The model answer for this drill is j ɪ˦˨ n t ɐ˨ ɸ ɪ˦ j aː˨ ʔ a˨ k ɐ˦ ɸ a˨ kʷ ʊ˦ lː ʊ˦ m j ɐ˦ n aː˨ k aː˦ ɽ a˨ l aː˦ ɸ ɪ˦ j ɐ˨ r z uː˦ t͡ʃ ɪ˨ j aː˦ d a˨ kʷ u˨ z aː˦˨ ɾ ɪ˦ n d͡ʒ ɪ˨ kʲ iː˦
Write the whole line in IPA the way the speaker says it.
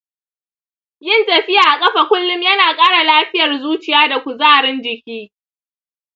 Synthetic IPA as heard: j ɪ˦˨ n t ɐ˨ ɸ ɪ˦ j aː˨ ʔ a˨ kʼ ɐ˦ ɸ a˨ kʷ ʊ˦ lː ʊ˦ m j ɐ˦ n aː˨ kʼ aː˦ ɽ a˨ l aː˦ ɸ ɪ˦ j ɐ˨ r z uː˦ t͡ʃ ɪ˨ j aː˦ d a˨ kʷ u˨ z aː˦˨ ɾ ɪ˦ n d͡ʒ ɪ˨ kʲ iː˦